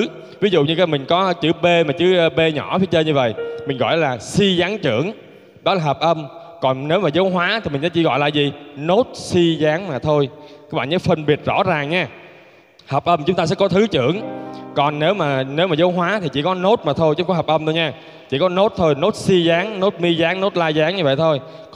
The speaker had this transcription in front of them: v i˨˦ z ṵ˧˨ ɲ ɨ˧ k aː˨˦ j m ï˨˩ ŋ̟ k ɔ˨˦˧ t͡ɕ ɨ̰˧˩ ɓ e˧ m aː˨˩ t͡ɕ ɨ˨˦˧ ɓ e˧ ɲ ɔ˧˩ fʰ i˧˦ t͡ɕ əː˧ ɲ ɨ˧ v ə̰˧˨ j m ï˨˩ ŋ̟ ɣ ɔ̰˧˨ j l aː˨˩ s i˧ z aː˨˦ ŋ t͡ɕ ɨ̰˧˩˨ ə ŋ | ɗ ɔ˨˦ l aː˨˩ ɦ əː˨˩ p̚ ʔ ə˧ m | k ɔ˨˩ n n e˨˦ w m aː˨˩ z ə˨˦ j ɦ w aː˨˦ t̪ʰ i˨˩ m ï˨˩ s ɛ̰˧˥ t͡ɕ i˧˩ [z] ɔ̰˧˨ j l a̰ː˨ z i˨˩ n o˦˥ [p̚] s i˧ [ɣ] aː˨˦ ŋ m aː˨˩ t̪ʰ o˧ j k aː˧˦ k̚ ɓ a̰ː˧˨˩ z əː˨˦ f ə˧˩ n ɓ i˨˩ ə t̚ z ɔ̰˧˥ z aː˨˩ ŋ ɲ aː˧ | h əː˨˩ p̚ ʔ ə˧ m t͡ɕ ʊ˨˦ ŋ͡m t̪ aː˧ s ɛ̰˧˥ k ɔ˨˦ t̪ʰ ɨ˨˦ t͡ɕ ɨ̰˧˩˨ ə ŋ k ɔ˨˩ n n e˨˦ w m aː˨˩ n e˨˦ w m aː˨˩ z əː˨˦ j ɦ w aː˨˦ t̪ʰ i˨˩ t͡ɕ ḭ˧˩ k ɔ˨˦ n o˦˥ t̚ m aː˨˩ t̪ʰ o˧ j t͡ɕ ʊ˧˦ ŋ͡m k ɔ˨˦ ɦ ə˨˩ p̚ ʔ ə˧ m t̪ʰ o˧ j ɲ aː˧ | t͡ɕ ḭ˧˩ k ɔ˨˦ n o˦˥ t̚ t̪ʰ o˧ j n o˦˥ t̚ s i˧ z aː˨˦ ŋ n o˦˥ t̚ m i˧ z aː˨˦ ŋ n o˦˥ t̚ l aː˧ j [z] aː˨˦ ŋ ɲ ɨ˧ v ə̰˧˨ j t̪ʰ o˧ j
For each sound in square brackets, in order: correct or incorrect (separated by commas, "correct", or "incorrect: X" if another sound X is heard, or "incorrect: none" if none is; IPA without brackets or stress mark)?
incorrect: ɣ, incorrect: t̚, incorrect: z, correct